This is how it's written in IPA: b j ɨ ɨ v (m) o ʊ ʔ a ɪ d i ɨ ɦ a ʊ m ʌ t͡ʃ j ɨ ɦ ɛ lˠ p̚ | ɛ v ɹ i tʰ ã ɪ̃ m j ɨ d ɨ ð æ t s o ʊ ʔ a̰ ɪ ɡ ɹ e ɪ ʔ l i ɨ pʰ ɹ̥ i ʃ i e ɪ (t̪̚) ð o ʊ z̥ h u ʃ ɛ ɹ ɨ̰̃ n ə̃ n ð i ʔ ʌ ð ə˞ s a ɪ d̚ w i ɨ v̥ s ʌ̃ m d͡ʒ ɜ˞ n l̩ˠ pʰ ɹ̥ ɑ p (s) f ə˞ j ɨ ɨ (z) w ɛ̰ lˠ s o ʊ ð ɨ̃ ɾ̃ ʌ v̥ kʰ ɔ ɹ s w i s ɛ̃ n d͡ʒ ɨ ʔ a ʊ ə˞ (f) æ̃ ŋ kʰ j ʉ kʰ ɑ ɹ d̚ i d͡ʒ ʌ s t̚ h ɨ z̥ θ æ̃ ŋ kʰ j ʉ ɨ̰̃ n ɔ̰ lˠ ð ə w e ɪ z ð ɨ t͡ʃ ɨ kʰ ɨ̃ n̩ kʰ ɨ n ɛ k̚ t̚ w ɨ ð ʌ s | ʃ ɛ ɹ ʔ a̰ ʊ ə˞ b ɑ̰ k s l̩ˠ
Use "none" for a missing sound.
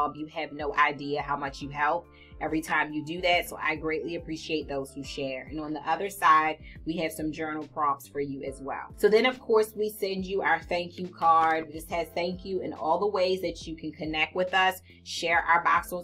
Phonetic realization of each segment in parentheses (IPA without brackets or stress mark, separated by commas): n, t̪̚, s, z, θ